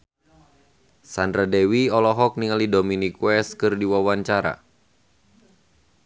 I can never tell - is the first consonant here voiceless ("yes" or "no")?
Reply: yes